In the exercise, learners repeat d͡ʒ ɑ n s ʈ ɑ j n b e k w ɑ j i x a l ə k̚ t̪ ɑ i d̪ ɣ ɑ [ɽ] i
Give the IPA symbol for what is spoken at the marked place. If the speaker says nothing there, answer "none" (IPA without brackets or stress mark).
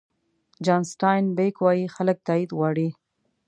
ɽ